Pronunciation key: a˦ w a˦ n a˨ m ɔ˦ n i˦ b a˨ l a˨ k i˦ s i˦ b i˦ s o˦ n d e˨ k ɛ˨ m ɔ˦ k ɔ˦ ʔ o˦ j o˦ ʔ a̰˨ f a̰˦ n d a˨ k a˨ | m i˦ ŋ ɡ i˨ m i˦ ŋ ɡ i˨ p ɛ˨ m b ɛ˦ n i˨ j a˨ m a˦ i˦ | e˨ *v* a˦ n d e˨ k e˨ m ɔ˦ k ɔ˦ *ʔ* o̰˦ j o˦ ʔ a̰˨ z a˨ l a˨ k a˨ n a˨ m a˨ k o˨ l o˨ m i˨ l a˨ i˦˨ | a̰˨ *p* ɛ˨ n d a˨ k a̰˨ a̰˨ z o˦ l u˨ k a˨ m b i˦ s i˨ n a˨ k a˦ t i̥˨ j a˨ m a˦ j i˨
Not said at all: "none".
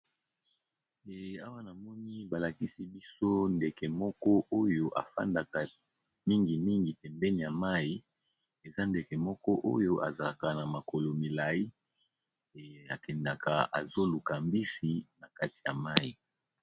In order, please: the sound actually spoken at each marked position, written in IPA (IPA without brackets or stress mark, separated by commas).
z, ʔ, k